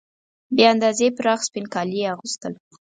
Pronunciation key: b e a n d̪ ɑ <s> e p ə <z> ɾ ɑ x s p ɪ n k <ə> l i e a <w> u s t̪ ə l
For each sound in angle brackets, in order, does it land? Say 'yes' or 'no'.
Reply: no, no, no, no

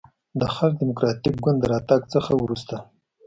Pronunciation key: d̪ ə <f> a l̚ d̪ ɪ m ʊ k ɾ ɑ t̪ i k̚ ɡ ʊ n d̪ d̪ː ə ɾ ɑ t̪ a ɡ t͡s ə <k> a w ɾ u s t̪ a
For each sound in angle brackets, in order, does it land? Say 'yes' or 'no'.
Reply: no, no

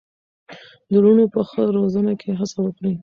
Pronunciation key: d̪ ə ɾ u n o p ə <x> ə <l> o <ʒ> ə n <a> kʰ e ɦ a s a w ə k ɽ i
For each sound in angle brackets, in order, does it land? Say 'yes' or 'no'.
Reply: yes, no, no, yes

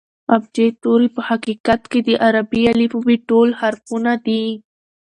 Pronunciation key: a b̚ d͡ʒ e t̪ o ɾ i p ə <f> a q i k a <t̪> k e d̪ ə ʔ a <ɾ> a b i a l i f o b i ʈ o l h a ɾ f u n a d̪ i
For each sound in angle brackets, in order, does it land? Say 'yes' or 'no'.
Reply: no, yes, yes

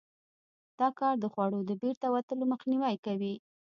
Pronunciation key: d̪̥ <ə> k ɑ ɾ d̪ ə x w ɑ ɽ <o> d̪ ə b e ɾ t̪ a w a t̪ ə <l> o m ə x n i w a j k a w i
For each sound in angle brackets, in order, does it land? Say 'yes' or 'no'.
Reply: no, yes, yes

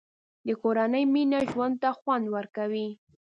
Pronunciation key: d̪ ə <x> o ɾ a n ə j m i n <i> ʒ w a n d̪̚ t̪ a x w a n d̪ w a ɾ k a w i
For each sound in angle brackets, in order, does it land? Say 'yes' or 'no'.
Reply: no, no

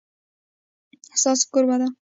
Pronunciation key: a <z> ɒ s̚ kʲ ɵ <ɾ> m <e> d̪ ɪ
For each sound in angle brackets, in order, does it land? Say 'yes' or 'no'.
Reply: no, yes, no

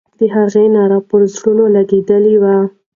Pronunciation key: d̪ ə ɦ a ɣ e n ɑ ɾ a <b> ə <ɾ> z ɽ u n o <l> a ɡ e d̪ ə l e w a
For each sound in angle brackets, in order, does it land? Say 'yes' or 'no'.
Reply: no, yes, yes

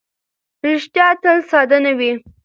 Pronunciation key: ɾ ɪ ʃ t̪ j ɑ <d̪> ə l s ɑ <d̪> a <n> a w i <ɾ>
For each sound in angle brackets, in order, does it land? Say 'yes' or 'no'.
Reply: no, yes, yes, no

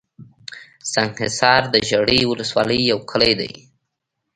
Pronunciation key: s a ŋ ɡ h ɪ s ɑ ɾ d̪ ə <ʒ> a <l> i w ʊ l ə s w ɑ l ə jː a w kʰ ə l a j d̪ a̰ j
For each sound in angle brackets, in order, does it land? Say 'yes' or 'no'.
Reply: yes, no

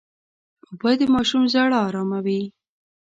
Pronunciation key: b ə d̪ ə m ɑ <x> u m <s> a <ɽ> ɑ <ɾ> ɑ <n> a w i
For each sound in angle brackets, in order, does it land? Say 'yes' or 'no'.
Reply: no, no, yes, yes, no

